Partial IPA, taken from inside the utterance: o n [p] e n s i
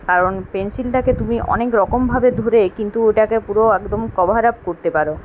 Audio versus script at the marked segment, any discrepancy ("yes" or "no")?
no